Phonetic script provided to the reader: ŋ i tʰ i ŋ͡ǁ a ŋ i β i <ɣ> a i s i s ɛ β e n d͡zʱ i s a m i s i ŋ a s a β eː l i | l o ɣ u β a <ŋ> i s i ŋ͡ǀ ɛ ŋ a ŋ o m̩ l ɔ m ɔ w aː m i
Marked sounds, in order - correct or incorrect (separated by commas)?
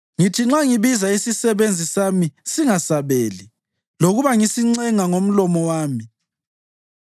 incorrect, correct